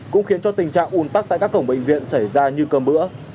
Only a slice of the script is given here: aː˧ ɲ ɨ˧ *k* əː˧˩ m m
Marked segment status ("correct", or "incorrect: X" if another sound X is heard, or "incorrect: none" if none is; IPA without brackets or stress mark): correct